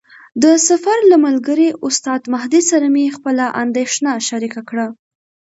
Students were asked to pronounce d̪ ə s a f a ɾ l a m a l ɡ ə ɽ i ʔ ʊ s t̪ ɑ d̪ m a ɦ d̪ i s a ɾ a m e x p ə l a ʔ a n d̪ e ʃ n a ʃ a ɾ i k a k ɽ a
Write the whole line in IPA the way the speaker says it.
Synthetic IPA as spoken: d̪ ə s a f a ɾ l a m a l ɡ ə ɾ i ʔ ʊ s t̪ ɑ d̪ m a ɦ d̪ i s a ɾ a m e x p ə l a ʔ a n d̪ e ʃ n a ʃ a ɾ i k a k ɽ a